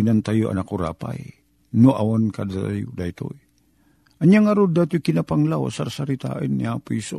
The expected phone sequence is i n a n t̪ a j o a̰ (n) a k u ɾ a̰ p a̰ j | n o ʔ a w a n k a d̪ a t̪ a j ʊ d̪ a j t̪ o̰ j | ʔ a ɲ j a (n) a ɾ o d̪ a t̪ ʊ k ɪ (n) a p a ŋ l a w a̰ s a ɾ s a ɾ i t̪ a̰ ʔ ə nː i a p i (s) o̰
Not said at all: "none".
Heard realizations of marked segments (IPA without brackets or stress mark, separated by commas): n, ŋ, n, s